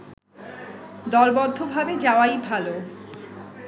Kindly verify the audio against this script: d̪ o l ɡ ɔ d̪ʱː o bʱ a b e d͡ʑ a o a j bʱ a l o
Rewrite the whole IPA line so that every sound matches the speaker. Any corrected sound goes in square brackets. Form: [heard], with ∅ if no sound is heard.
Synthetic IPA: d̪ [ɔ] l [b] ɔ d̪ʱː o bʱ a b e d͡ʑ a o a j bʱ a l o

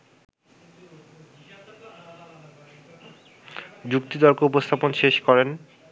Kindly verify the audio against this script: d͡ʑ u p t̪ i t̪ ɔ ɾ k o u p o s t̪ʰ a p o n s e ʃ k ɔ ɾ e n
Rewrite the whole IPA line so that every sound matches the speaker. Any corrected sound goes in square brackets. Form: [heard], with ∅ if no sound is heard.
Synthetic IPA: d͡ʑ u [k] t̪ i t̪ ɔ ɾ k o u p o s t̪ʰ a p o n [ʃ] e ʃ k ɔ ɾ e n

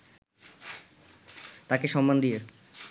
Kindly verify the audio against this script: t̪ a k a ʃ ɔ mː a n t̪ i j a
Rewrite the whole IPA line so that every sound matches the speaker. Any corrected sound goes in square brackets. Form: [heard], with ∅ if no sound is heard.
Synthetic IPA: t̪ a k [e] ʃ ɔ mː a n [d̪] i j [e]

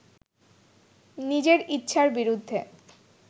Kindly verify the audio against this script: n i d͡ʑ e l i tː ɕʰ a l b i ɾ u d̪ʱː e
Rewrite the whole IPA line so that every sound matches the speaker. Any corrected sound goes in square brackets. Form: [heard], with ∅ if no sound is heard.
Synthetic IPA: n i d͡ʑ e [ɾ] i tː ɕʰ a [ɾ] b i ɾ u d̪ʱː e

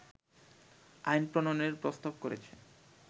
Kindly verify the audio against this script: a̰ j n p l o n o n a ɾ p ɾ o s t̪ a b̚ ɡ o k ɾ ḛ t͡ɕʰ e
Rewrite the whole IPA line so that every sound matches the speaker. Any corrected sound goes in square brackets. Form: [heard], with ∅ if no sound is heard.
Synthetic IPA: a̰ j n p [ɾ] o n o n [e] ɾ p ɾ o s t̪ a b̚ [k] o [∅] ɾ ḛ t͡ɕʰ e

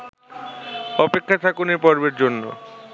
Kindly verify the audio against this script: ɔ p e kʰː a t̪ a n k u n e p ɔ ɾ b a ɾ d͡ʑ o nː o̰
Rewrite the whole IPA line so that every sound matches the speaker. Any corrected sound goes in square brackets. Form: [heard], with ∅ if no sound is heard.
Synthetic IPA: ɔ p e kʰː a [t̪ʰ] a [∅] k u n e p ɔ ɾ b [e] ɾ d͡ʑ o nː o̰

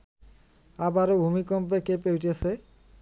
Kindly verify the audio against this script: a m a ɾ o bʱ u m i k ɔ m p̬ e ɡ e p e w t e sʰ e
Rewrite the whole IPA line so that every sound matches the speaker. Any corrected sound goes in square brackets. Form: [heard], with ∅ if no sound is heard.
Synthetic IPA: a [b] a ɾ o bʱ u m i k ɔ m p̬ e [k] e p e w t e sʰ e

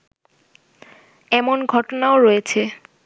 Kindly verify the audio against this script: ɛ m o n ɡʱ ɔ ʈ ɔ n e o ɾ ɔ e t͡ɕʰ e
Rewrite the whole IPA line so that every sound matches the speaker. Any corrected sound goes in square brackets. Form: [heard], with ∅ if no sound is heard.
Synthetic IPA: ɛ m o n ɡʱ ɔ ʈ [o] n [a] o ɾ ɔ e t͡ɕʰ e

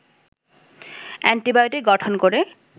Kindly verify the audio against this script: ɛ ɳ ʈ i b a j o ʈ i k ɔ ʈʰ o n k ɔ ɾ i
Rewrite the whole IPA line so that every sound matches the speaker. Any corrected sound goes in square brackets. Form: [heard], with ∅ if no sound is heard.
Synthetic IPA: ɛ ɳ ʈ i b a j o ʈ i [ɡ] ɔ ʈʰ o n k [o] ɾ [e]

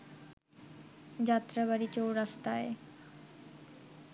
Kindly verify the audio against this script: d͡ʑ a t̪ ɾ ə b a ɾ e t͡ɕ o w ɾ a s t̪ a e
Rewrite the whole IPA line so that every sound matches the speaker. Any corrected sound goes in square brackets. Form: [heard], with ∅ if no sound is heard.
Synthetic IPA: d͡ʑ a t̪ ɾ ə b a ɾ [i] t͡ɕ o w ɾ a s t̪ a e

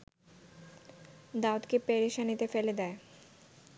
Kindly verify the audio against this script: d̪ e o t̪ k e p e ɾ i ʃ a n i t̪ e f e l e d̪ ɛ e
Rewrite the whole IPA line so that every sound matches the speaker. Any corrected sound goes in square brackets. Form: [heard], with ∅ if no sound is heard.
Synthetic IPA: d̪ [a] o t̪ k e p e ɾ i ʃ a n i t̪ e f e l e d̪ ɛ e

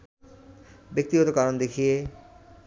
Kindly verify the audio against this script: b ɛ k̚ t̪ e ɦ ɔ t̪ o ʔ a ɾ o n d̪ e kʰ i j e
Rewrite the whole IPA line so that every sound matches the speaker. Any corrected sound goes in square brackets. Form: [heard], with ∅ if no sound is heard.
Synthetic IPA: b [e] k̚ t̪ [i] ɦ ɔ t̪ o [k] a ɾ o n d̪ e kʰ i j e

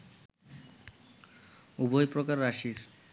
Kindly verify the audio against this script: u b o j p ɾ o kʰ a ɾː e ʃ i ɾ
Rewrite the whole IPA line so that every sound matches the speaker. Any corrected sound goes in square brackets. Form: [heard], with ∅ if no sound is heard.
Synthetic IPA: u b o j p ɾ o [k] a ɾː [a] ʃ i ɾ

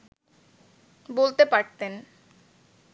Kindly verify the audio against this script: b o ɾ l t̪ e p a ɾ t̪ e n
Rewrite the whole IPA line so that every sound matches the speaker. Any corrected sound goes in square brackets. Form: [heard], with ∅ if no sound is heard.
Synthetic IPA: b o [∅] l t̪ e p a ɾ t̪ e n

